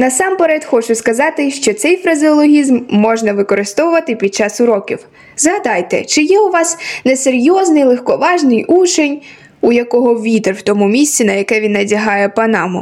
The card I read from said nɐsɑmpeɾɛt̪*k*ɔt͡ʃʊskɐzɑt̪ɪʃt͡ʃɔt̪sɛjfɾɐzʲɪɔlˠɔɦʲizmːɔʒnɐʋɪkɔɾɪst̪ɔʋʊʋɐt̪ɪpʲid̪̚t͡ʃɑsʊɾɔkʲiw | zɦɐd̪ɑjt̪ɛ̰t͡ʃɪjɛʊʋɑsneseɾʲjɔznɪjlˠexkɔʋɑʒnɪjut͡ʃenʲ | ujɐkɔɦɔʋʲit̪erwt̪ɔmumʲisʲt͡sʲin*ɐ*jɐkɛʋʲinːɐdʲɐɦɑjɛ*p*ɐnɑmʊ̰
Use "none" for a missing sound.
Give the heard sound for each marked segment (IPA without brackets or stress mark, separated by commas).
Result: x, ɐ, p